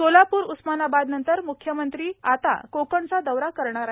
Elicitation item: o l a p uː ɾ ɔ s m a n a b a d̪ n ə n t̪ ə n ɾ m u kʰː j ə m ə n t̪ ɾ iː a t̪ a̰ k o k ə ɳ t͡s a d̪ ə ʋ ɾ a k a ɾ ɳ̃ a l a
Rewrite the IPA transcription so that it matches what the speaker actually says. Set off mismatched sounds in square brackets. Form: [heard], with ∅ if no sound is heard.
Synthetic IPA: o l a p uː ɾ [u] s m a n a b a d̪ n ə n t̪ ə [∅] ɾ m u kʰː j ə m ə n t̪ ɾ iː a t̪ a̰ k o k ə ɳ t͡s a d̪ ə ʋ ɾ a k [ə] ɾ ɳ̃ a [ɾ] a